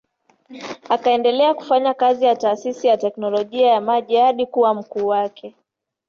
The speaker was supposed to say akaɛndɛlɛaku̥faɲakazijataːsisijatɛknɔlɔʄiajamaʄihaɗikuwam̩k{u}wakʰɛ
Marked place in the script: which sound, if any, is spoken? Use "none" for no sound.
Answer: uː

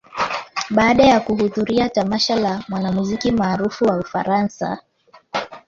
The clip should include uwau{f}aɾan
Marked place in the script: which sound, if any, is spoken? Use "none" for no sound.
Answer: f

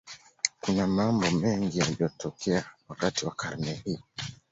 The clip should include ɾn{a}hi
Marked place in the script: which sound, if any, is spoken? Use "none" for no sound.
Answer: ɛ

